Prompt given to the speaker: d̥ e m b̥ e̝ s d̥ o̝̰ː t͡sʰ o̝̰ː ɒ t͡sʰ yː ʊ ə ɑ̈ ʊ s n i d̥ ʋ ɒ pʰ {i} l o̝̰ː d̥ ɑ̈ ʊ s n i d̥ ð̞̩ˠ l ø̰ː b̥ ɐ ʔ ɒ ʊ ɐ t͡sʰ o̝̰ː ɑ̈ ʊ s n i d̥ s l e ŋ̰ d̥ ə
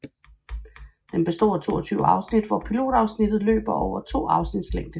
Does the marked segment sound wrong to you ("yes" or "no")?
no